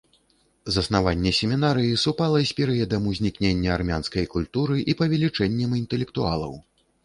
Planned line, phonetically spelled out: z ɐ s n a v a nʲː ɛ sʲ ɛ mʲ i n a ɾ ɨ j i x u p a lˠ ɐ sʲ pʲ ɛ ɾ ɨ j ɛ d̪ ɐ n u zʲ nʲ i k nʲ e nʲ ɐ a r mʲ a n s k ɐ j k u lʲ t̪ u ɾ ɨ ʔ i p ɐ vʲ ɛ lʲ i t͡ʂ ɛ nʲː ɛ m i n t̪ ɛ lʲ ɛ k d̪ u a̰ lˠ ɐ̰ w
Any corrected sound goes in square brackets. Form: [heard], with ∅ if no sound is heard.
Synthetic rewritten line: z ɐ s n a v a nʲː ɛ sʲ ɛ mʲ i n a ɾ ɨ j i [s] u p a lˠ ɐ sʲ pʲ ɛ ɾ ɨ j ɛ d̪ ɐ [m] u zʲ nʲ i k nʲ e [nʲː] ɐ a r mʲ a n s k ɐ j k u lʲ t̪ u ɾ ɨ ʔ i p ɐ vʲ ɛ lʲ i t͡ʂ ɛ nʲː ɛ m i n t̪ ɛ lʲ ɛ k [t̪] u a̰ lˠ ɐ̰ w